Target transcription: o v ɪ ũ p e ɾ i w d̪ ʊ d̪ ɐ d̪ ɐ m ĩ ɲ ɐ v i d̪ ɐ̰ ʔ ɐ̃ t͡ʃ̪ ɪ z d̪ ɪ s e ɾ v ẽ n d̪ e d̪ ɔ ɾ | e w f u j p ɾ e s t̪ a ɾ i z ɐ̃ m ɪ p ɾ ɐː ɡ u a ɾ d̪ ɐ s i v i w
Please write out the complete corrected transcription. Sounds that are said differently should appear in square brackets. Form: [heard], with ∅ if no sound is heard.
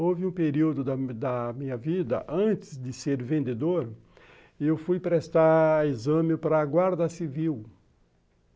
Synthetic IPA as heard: o v ɪ ũ p e ɾ i w d̪ ʊ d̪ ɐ d̪ ɐ m ĩ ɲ ɐ v i d̪ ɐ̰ ʔ ɐ̃ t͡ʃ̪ ɪ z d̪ ɪ s e ɾ v ẽ n d̪ e d̪ [o] ɾ | e w f u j p ɾ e s t̪ a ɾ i z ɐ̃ m ɪ p ɾ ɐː ɡ [w] a ɾ d̪ ɐ s i v i w